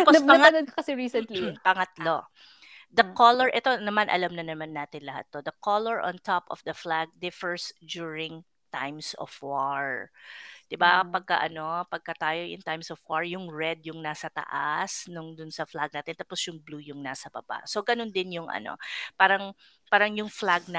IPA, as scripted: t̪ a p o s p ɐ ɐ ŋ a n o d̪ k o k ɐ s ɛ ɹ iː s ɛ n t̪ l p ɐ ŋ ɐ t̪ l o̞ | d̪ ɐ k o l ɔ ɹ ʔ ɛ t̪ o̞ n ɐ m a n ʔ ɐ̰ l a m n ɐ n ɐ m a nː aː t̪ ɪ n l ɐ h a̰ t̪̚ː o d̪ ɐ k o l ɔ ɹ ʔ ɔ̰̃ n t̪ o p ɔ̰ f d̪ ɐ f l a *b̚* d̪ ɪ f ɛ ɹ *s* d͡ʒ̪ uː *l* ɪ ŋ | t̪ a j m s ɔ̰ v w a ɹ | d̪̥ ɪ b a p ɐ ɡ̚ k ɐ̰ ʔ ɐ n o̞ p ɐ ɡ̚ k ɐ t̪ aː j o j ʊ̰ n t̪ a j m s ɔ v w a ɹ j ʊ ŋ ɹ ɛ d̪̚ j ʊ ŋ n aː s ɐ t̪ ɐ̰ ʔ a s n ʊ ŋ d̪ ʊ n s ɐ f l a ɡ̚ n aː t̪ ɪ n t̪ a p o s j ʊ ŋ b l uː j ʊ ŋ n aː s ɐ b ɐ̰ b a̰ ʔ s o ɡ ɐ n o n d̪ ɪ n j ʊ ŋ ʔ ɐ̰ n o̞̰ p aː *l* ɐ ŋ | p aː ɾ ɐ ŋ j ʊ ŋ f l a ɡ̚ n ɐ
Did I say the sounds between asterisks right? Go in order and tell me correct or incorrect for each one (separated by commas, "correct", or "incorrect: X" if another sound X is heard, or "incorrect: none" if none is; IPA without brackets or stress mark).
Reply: incorrect: ɡ̚, correct, incorrect: ɹ, incorrect: ɾ